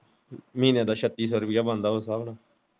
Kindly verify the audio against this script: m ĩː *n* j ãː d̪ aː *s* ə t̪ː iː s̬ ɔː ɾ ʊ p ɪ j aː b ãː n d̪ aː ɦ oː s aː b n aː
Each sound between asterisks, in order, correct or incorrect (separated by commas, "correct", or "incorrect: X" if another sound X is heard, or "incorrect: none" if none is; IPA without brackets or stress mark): correct, incorrect: ʃ